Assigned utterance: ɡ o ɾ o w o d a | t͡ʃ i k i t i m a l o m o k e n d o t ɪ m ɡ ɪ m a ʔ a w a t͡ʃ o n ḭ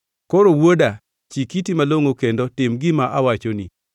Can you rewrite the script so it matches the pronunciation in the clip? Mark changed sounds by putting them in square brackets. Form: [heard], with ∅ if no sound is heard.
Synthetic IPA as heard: [k] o ɾ o w o d a | t͡ʃ i k i t i m a l o [ŋ] o k e n d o t ɪ m ɡ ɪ m a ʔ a w a t͡ʃ o n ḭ